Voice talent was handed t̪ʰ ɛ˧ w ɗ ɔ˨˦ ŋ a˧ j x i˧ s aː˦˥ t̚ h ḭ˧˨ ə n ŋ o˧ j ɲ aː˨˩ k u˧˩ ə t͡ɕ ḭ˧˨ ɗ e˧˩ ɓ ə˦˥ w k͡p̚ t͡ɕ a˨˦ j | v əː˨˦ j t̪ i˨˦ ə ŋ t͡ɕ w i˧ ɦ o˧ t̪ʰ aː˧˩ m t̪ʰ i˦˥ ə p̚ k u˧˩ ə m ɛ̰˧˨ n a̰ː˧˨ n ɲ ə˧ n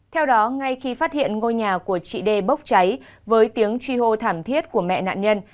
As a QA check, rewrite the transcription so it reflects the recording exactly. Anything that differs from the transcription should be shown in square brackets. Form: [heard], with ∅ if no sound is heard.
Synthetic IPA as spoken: t̪ʰ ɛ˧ w ɗ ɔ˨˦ ŋ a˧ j x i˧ [f] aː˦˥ t̚ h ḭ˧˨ ə n ŋ o˧ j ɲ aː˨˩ k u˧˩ ə t͡ɕ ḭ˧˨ ɗ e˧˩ ɓ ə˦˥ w k͡p̚ t͡ɕ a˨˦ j | v əː˨˦ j t̪ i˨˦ ə ŋ t͡ɕ w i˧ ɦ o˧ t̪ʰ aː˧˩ m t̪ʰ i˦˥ ə [t̚] k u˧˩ ə m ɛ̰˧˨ n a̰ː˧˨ n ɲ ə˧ n